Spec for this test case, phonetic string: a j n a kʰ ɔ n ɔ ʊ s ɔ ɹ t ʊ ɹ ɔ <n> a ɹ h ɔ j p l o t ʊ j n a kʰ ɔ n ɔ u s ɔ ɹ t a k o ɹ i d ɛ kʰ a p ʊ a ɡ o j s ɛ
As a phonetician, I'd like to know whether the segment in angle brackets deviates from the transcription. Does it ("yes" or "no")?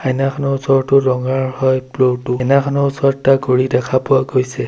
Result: yes